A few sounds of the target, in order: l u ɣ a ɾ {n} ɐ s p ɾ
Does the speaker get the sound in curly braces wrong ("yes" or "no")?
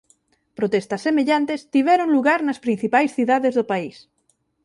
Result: no